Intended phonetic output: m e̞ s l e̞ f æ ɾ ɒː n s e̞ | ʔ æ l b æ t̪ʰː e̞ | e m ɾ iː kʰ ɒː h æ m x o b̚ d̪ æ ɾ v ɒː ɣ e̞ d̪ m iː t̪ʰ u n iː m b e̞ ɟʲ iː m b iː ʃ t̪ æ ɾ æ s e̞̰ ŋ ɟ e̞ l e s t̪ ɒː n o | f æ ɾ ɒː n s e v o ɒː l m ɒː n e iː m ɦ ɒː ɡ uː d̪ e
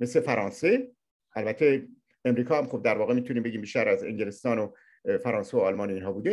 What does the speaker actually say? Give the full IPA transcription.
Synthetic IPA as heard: m e̞ s l e̞ f æ ɾ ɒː n s e̞ | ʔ æ l b æ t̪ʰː e̞ | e m ɾ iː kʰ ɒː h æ m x o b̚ d̪ æ ɾ v ɒː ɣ e̞ m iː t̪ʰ u n iː m b e̞ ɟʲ iː m b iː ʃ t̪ æ ɾ æ z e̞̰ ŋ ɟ e̞ l e s t̪ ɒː n o | f æ ɾ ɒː n s e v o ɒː l m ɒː n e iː n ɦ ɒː b uː d̪ e